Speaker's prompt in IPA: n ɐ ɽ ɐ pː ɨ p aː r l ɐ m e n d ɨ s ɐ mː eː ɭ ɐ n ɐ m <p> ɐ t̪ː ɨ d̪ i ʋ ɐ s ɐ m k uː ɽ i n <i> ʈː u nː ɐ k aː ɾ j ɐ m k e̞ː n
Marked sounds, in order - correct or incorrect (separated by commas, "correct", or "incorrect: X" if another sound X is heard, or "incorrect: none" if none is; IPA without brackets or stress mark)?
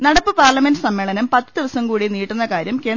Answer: correct, incorrect: iː